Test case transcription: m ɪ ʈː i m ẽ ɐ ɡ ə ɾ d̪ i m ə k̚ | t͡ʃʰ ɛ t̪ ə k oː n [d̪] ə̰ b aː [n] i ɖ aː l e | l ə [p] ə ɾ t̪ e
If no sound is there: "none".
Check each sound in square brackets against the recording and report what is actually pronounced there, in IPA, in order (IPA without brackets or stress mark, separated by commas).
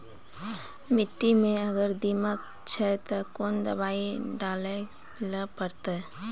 d̪, none, p